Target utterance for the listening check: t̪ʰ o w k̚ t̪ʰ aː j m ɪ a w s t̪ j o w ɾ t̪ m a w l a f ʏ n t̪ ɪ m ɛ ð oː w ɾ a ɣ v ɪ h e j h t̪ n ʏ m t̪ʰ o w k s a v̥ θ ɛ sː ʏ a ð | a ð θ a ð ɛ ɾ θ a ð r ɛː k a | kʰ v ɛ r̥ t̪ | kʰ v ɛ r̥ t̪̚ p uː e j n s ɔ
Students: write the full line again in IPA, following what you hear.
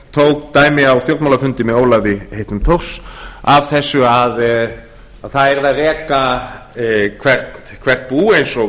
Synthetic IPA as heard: t̪ʰ o w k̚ t̪ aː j m ɪ a w s t̪ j o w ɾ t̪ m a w l a f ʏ n t̪ ɪ m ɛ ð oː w l a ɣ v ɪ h e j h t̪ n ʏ m t̪ʰ o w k s a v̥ θ ɛ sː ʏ a ð | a ð θ a ð ɛ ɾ ð a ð r ɛː k a | kʰ v ɛ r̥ t̪ | kʰ v ɛ r̥ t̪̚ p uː e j n s ɔ